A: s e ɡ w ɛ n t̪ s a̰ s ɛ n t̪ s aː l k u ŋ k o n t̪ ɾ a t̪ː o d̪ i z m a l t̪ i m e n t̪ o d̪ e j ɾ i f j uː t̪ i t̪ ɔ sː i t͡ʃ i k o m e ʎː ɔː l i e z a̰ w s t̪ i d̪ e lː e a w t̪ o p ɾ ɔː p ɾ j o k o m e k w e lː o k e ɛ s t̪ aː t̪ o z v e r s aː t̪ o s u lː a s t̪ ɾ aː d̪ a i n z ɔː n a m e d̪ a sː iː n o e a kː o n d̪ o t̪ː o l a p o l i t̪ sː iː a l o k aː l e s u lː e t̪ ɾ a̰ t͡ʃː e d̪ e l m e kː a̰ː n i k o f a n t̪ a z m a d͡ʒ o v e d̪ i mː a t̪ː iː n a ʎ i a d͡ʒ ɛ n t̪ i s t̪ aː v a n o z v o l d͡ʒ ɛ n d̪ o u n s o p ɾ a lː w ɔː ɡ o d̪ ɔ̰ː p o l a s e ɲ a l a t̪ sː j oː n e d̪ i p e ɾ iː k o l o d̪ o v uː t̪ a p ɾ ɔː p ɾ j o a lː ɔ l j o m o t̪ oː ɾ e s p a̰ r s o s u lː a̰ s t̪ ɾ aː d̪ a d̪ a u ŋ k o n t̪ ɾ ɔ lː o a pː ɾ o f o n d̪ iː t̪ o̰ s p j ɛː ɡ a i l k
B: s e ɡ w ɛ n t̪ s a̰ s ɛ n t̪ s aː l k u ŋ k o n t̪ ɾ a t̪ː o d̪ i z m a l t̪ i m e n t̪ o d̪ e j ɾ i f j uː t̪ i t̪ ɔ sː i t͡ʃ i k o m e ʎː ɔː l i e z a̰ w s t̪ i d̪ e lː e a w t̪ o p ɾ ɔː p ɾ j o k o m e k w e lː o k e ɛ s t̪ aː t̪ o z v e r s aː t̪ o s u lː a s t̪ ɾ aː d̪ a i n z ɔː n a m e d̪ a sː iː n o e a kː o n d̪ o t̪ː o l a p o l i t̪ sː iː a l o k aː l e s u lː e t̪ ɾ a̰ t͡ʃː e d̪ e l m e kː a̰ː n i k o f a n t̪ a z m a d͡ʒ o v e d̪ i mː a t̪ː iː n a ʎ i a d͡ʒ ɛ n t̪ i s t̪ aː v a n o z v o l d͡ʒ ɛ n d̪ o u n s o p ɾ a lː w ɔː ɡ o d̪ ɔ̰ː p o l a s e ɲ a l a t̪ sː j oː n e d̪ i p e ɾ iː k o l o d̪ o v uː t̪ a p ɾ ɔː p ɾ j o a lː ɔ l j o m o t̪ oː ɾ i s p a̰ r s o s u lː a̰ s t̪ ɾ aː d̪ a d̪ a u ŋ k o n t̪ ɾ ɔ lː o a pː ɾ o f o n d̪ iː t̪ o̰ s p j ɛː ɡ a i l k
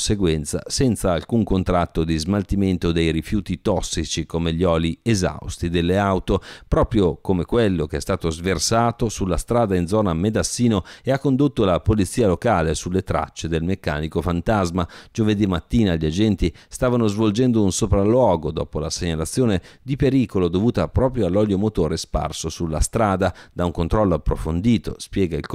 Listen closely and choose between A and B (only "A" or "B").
A